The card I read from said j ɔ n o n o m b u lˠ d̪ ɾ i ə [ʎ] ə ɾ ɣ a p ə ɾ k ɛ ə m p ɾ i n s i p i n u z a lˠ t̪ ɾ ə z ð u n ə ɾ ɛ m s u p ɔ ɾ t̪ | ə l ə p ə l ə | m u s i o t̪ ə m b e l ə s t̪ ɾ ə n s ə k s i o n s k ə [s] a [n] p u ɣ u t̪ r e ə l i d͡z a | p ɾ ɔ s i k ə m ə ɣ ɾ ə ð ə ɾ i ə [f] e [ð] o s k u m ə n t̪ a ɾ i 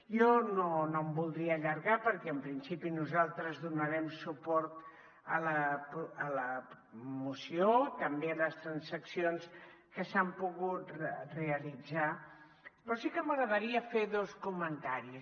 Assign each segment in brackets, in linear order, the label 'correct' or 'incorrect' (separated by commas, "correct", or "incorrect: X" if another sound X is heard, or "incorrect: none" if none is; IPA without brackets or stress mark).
correct, correct, incorrect: m, correct, correct